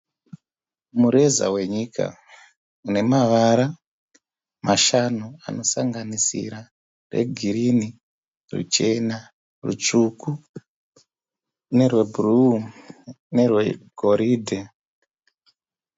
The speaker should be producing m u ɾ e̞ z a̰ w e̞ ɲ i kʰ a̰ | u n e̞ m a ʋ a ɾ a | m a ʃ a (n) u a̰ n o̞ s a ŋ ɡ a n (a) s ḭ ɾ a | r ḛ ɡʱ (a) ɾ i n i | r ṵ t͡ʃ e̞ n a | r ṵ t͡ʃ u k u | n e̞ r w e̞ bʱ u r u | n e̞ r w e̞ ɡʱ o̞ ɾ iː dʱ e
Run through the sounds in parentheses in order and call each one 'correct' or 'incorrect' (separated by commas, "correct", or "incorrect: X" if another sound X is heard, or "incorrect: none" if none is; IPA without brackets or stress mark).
correct, incorrect: i, incorrect: i